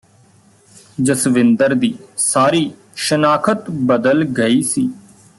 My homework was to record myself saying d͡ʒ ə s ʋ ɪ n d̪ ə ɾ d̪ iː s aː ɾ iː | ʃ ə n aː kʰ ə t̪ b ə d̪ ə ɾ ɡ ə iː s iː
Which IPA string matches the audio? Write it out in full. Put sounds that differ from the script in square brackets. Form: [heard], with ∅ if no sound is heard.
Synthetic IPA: d͡ʒ ə s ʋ ɪ n d̪ ə ɾ d̪ iː s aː ɾ iː | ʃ ə n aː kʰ ə t̪ b ə d̪ ə [l] ɡ ə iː s iː